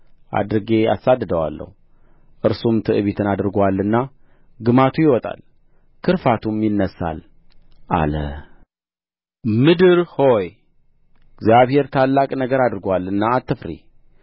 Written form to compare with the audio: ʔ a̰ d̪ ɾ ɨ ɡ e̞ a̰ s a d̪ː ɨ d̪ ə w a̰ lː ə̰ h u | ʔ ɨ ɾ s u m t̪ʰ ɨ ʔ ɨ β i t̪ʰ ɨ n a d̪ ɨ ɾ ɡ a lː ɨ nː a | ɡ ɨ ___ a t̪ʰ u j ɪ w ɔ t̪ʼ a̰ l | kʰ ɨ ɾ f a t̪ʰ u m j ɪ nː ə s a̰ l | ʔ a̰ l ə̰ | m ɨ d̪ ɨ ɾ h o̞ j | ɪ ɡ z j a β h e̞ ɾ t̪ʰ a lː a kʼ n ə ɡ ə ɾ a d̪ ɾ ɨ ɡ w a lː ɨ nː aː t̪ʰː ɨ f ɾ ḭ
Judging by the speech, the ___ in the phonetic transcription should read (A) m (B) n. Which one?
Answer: A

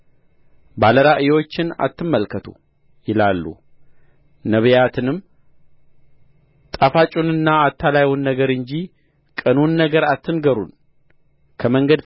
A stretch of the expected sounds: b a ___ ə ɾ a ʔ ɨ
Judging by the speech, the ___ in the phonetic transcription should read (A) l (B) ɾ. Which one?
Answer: A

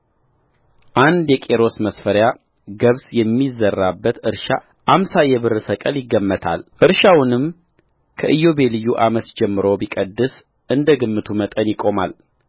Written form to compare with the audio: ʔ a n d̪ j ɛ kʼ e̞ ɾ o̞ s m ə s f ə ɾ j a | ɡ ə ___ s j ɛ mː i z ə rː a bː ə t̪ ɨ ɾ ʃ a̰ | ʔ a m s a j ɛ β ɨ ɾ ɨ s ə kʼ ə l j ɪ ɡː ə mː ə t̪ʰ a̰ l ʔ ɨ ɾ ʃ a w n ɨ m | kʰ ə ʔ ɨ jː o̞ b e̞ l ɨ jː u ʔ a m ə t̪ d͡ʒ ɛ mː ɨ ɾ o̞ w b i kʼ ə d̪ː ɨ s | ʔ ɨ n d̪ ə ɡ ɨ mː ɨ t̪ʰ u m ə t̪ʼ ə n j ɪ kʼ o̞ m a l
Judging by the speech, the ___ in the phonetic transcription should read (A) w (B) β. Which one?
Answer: B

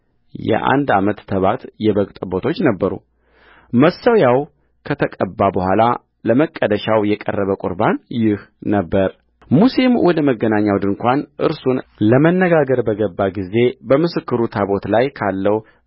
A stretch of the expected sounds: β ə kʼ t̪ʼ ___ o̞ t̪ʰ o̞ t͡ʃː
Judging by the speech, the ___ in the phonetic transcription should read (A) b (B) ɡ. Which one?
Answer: A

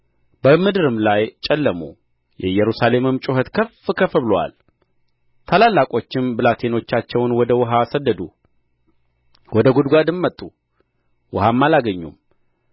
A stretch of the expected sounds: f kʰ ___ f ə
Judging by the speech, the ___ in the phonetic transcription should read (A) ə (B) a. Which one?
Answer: A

